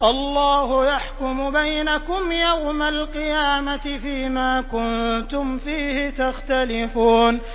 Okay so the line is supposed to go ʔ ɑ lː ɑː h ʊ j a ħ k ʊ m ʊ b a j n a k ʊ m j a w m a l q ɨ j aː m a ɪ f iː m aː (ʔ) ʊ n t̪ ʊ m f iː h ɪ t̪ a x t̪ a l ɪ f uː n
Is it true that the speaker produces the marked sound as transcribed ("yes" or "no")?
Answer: no